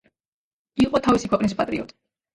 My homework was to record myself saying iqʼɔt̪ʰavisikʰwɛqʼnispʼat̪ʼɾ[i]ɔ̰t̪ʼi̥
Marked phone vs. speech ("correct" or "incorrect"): correct